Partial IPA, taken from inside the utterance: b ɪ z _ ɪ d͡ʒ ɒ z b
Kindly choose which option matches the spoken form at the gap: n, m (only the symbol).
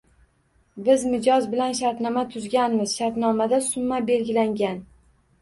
m